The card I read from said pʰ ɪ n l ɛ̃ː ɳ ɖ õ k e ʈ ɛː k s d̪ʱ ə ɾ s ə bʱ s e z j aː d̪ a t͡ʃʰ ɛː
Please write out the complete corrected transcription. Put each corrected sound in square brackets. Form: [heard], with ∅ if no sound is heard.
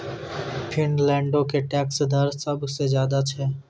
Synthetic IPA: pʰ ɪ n l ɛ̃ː ɳ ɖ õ k e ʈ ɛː k s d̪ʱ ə ɾ s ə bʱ s e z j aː d̪ a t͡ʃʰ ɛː